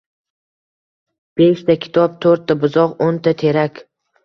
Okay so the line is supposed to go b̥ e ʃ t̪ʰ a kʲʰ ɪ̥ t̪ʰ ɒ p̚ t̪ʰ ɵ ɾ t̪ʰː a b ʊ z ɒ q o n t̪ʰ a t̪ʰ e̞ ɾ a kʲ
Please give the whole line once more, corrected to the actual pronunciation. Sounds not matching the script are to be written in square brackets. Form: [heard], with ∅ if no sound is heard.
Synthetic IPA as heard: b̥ e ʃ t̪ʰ a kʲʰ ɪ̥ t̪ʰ ɒ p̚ t̪ʰ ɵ ɾ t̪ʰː a b ʊ z ɒ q o n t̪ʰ a t̪ʰ e̞ ɾ a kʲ